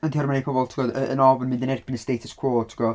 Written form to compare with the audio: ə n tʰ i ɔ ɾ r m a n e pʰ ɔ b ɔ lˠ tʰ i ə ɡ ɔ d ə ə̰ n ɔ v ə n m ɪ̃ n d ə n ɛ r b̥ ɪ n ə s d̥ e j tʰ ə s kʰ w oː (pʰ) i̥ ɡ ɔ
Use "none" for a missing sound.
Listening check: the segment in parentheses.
tʰ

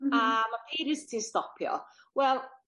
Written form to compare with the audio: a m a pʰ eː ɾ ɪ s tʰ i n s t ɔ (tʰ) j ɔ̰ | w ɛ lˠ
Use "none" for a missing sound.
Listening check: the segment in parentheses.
pʰ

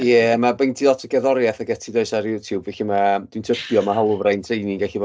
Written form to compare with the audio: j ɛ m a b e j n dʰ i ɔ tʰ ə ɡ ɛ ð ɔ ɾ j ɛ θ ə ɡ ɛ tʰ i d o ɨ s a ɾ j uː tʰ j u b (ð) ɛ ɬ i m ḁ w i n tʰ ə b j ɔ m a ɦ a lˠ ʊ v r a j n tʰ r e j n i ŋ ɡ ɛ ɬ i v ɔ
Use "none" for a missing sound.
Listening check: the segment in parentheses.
v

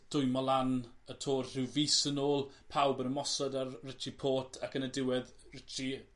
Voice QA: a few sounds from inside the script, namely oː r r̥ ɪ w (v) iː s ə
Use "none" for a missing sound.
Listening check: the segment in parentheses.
v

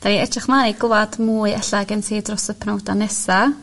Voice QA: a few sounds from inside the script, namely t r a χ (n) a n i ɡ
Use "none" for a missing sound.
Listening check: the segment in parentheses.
m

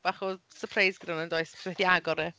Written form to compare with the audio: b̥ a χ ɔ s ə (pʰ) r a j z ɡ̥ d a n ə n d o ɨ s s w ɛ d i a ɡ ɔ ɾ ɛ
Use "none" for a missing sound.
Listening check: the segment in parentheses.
pʰ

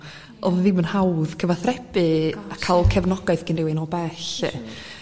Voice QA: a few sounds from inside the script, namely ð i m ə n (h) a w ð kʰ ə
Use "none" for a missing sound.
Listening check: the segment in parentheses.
h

